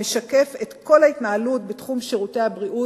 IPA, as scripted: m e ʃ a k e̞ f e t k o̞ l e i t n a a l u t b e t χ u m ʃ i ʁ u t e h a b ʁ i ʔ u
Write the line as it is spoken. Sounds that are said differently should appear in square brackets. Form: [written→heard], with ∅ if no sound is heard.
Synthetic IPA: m e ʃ a k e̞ f e t k o̞ l [e→a] i t n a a l u t b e t χ u m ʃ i ʁ u t e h a b ʁ i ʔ u

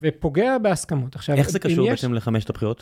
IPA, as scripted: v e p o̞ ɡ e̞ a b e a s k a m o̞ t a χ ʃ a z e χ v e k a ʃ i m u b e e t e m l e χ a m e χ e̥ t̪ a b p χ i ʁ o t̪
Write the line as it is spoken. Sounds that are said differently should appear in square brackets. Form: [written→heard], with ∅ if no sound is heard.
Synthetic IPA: v e p o̞ ɡ e̞ a b e a s k a m o̞ t a χ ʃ a [z→v] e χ [v→z] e k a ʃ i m u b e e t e m l e χ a m e [χ→ʃ] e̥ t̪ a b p χ i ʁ o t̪

